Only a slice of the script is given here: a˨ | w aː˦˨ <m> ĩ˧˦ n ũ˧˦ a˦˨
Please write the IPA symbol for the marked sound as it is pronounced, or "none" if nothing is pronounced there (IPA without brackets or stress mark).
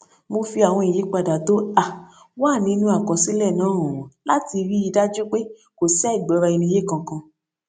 n